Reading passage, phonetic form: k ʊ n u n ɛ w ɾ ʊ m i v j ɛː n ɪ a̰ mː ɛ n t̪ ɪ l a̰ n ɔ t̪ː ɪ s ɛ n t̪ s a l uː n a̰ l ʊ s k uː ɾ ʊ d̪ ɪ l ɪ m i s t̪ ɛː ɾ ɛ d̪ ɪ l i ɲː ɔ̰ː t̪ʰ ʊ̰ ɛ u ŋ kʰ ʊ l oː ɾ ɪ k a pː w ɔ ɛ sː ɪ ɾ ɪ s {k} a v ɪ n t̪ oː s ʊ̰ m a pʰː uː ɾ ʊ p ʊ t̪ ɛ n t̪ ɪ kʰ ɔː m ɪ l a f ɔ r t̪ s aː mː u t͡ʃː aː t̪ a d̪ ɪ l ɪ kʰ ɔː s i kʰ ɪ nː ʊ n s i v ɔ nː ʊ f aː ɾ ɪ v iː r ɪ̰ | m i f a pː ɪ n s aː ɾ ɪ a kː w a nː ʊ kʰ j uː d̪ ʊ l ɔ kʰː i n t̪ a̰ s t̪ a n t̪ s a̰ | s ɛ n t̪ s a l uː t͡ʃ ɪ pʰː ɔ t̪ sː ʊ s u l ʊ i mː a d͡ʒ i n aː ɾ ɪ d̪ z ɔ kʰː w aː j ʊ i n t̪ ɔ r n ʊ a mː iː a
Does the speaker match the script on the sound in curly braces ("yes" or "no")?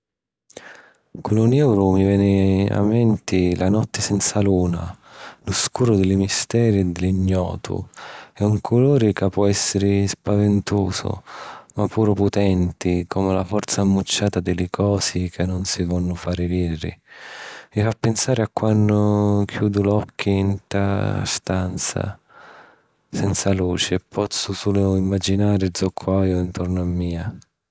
no